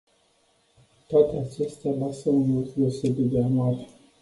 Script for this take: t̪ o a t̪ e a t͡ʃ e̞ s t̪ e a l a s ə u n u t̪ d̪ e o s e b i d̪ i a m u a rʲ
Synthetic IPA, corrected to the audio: t̪ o a t̪ e a t͡ʃ e̞ s t̪ e a l a s ə u n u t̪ d̪ e o s e b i d̪ e a n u a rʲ